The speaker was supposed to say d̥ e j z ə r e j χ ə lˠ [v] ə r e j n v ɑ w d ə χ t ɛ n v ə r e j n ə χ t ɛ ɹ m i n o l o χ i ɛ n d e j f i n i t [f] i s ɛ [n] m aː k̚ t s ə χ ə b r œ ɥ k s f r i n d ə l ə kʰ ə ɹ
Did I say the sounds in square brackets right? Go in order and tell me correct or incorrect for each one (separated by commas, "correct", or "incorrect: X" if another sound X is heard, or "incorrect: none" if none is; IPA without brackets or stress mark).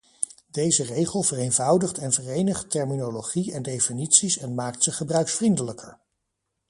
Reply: correct, incorrect: s, correct